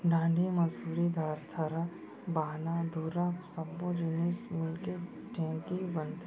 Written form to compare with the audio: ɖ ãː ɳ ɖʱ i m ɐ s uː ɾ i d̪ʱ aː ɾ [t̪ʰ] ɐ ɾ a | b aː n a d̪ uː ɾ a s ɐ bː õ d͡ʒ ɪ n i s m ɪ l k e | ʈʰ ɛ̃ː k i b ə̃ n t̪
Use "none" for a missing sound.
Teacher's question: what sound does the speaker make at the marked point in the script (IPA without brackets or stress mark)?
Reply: t̪ʰ